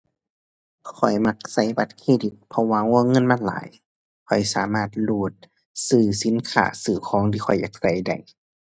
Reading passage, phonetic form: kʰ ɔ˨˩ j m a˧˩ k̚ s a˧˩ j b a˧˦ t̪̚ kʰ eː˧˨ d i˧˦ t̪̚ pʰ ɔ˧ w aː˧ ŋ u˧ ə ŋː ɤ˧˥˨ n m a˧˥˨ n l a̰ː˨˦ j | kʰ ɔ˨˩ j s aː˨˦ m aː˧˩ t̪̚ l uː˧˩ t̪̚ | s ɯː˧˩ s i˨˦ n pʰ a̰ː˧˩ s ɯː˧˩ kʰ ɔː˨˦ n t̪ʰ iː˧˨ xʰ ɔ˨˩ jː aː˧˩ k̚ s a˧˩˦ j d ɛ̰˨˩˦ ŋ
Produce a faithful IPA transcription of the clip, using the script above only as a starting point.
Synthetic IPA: kʰ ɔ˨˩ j m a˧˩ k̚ s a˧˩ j b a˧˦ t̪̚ kʰ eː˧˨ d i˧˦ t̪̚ pʰ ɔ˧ w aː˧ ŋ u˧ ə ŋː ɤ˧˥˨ n m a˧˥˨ n l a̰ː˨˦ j | kʰ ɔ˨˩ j s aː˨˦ m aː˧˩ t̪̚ l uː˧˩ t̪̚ | s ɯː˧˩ s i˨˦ n kʰ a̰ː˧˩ s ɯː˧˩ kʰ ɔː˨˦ ŋ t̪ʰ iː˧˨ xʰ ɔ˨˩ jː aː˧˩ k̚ s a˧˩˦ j d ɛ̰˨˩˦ ŋ

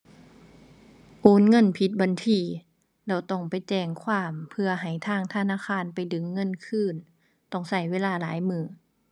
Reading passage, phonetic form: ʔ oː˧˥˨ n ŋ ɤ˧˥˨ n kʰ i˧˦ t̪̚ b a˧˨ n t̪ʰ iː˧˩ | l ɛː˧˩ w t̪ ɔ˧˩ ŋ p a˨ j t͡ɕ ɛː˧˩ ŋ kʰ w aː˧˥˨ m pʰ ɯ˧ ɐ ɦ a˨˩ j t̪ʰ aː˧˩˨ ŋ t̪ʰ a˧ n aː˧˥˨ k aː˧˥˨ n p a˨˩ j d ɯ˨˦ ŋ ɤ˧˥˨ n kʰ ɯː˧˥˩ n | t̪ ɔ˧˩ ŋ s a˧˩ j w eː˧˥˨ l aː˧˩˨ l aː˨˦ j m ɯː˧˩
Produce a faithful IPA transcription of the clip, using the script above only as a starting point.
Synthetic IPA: ʔ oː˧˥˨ n ŋ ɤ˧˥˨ n pʰ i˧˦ t̪̚ b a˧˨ n t̪ʰ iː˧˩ | l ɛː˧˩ w t̪ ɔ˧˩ ŋ p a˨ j t͡ɕ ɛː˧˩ ŋ kʰ w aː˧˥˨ m pʰ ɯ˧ ɐ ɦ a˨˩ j t̪ʰ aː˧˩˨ ŋ t̪ʰ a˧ n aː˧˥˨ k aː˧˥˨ n p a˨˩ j d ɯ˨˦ ŋː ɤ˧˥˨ n kʰ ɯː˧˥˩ n | t̪ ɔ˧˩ ŋ s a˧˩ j w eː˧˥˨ l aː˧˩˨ l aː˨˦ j m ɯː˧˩

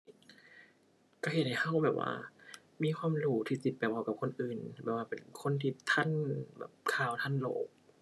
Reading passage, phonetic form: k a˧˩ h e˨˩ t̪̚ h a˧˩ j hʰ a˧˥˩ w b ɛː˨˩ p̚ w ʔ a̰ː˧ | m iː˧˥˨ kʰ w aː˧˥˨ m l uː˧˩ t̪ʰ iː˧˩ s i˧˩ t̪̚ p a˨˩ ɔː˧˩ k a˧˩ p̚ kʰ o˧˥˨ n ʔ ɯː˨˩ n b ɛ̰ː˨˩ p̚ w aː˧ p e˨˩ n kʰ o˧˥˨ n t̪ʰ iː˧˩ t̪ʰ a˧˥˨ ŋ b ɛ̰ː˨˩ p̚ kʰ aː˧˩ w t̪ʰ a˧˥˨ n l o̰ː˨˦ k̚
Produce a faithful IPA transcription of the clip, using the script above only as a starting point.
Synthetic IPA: k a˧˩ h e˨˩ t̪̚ h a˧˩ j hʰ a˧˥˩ w b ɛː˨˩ p̚ w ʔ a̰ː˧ | m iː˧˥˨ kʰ w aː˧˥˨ m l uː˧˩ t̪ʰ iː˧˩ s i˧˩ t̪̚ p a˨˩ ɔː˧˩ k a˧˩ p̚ kʰ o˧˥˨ n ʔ ɯː˨˩ n b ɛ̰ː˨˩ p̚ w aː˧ p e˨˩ n kʰ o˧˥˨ n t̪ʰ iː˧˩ t̪ʰ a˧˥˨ n b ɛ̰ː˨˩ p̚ kʰ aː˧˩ w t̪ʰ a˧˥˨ n l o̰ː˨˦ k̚

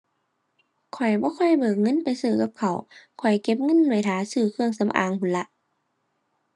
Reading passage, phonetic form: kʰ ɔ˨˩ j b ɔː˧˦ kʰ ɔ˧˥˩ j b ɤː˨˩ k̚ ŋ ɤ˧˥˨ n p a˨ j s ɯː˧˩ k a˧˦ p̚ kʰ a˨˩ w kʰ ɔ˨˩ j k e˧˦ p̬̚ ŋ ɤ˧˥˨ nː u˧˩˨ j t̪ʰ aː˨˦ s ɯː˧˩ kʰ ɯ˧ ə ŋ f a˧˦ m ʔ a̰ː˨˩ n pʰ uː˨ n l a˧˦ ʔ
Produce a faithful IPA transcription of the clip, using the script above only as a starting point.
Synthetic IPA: kʰ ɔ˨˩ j b ɔː˧˦ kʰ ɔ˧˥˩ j b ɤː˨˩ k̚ ŋ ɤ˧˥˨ n p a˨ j s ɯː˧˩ k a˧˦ p̚ kʰ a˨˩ w kʰ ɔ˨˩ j k e˧˦ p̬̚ ŋ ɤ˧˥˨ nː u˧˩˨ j t̪ʰ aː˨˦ s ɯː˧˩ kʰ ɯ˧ ə ŋ s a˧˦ m ʔ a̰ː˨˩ ŋ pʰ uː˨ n l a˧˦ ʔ

